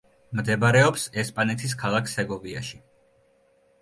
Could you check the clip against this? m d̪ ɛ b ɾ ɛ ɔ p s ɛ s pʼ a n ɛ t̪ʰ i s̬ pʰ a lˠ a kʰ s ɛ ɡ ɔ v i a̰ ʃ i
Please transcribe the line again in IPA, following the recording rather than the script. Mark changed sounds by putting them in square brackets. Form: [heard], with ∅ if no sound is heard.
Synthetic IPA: m d̪ ɛ b ɾ ɛ ɔ p s ɛ s pʼ a n ɛ t̪ʰ i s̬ [kʰ] a lˠ a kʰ s ɛ ɡ ɔ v i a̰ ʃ i